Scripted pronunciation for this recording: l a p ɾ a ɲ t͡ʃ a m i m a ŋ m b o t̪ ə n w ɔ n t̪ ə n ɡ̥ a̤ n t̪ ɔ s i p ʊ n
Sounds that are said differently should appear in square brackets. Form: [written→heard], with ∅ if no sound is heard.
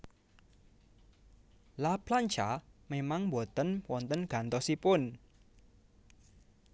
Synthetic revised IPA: l a p [ɾ→l] a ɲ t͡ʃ a m [i→e] m a ŋ m b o t̪ ə n w ɔ n t̪ ə n ɡ̥ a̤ n t̪ ɔ s i p ʊ n